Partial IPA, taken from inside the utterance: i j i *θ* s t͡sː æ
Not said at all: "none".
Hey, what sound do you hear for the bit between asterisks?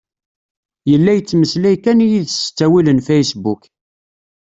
ð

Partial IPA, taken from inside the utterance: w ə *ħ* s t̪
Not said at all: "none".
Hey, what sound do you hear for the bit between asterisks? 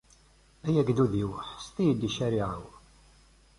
ħ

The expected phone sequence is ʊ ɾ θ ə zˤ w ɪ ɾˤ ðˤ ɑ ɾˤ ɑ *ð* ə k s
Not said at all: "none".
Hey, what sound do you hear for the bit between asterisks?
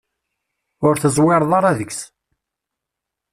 ð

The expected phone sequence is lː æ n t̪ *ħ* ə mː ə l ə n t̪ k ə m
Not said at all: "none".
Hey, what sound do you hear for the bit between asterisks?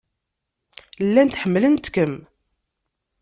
ħ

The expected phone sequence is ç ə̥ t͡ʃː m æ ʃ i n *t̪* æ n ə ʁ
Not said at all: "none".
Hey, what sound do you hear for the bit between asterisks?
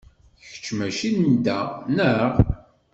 d̪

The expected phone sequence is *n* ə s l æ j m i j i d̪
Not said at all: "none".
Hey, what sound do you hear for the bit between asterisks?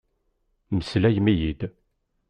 m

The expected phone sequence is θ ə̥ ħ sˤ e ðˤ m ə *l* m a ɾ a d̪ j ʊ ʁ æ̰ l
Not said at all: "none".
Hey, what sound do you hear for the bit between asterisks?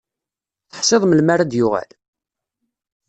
l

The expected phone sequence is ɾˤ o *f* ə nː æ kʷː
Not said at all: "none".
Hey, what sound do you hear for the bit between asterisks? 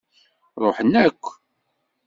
ħ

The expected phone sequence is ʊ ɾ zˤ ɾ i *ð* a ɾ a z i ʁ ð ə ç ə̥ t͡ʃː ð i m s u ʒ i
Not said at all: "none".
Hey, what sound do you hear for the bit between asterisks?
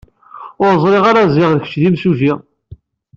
ʁ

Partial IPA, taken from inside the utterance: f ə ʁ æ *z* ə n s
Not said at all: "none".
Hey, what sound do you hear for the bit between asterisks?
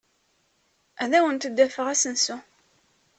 s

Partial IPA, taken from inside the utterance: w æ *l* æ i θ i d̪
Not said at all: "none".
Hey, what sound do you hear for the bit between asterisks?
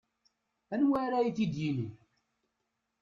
ɾ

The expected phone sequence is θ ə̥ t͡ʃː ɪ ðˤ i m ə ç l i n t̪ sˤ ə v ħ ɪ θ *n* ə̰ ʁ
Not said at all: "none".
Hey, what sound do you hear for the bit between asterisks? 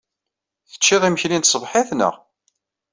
n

